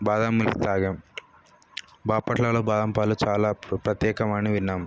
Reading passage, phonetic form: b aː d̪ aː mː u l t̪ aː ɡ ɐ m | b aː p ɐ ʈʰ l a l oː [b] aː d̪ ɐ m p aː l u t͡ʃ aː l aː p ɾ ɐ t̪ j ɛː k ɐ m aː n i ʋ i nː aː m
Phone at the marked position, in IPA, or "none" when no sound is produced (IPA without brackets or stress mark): b